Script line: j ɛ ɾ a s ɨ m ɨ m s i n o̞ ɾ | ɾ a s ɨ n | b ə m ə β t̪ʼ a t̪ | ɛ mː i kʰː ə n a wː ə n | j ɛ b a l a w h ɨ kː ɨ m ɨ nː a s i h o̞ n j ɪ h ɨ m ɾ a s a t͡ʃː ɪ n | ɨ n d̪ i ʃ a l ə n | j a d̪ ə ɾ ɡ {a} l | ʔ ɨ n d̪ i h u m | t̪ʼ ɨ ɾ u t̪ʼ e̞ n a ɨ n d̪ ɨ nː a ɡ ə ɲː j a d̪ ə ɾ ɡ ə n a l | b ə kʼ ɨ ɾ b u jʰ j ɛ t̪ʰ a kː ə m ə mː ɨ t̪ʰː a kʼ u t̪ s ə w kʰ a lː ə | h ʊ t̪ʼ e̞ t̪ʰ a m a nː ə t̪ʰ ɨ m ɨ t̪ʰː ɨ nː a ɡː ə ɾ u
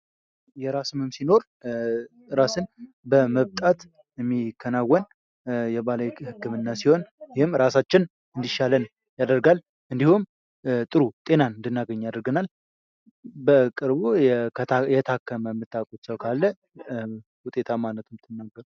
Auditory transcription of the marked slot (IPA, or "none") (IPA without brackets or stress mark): a